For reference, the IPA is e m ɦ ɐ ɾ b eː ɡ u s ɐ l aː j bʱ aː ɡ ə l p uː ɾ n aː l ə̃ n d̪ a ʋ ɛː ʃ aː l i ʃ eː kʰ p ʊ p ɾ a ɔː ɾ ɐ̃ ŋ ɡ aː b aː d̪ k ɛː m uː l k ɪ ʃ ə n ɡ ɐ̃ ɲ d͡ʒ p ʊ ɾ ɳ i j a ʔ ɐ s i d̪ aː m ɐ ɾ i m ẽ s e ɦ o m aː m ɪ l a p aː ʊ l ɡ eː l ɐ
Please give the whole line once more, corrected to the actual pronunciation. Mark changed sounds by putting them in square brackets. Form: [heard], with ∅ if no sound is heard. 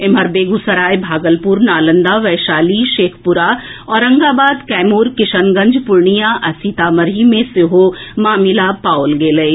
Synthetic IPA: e m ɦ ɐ ɾ b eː ɡ u s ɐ [ɾ] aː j bʱ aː ɡ ə l p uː ɾ n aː l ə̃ n d̪ a ʋ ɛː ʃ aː l i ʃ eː kʰ p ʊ [∅] ɾ a ɔː ɾ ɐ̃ ŋ ɡ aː b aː d̪ k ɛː m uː [ɾ] k ɪ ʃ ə n ɡ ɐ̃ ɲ d͡ʒ p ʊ ɾ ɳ i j a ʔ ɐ s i [t̪] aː m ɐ ɾ i m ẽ s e ɦ o m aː m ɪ l a p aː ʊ l ɡ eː l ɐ